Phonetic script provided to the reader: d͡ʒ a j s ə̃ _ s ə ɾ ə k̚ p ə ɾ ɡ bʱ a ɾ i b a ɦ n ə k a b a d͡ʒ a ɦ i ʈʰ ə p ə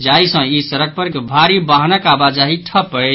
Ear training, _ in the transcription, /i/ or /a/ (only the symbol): i